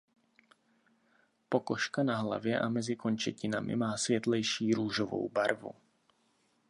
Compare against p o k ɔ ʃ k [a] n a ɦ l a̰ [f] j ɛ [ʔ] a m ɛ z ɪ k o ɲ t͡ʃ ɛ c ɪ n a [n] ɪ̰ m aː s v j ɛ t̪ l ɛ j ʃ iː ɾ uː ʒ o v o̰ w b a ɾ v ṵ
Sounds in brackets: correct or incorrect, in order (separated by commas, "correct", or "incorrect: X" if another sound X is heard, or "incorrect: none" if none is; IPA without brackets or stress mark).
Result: correct, incorrect: v, correct, incorrect: m